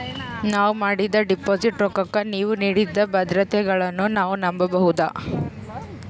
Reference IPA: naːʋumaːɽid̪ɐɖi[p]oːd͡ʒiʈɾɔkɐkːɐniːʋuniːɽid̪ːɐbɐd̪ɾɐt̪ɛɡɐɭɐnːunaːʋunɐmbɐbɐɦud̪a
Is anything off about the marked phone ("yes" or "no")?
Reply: no